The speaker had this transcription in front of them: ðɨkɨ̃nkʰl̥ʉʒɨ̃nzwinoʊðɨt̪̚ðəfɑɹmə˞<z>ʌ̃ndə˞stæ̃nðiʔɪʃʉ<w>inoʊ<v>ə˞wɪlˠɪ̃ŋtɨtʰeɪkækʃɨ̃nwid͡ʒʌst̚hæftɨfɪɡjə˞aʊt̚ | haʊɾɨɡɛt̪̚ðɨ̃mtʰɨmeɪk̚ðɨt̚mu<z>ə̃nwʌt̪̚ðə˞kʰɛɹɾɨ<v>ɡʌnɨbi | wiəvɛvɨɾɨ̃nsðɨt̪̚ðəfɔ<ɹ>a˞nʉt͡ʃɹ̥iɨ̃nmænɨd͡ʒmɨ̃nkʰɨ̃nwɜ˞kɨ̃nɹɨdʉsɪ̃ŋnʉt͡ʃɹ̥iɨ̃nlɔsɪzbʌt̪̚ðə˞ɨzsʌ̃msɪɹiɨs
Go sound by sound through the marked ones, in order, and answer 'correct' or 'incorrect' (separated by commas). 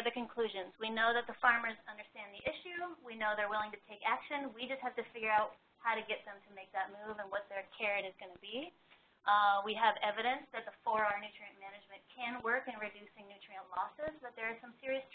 correct, correct, incorrect, incorrect, incorrect, correct